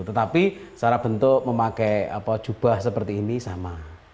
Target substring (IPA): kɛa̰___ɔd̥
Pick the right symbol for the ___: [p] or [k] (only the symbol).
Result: p